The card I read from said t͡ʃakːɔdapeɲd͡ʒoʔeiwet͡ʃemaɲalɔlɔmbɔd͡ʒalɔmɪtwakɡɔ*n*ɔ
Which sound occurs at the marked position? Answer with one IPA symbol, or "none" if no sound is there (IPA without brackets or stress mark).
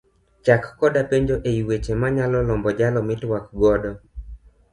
d